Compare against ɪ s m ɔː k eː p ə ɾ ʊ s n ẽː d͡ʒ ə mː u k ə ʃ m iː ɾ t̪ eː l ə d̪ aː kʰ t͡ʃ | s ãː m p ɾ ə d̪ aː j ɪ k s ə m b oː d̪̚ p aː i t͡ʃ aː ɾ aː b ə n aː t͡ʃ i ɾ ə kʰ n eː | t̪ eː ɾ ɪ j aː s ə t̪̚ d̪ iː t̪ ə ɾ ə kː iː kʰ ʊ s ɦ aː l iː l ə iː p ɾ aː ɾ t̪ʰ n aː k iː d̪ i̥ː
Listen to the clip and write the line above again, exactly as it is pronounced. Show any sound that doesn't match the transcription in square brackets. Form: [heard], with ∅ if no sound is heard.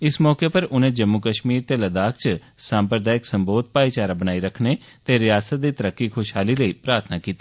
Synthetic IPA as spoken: ɪ s m ɔː k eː p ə ɾ ʊ [∅] n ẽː d͡ʒ ə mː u k ə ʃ m iː ɾ t̪ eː l ə d̪ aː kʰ t͡ʃ | s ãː m p ɾ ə d̪ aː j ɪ k s ə m b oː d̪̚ p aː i t͡ʃ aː ɾ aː b ə n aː [∅] i ɾ ə kʰ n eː | t̪ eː ɾ ɪ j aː s ə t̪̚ d̪ iː t̪ ə ɾ ə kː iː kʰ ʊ [ʃ] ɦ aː l iː l ə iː p ɾ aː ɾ t̪ʰ n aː k iː [t̪] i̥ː